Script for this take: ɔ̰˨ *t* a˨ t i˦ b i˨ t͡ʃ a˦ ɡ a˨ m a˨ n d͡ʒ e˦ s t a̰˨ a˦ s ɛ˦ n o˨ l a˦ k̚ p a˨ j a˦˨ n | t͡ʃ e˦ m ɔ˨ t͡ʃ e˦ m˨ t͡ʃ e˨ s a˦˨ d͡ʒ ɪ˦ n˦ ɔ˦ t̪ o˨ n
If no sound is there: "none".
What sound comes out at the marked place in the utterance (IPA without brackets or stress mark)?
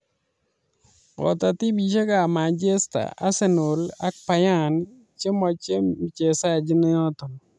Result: t